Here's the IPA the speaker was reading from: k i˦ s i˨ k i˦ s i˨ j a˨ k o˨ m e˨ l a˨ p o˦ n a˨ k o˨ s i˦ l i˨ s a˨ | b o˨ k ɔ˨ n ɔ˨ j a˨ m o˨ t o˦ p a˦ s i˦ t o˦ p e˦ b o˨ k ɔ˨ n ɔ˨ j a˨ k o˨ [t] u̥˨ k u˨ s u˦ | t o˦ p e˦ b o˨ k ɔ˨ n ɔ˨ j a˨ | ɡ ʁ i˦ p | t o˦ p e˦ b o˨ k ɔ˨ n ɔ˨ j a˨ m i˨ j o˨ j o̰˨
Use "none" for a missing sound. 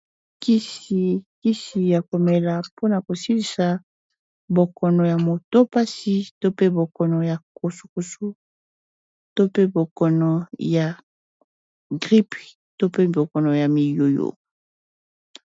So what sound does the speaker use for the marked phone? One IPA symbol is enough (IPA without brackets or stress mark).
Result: s